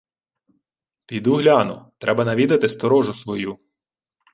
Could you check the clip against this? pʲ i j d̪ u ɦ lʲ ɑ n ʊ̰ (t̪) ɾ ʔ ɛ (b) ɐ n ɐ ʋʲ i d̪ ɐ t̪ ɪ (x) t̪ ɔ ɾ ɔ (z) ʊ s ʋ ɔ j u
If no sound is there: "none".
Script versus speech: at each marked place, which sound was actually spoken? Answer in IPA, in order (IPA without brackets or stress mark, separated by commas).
t̪, b, s, ʒ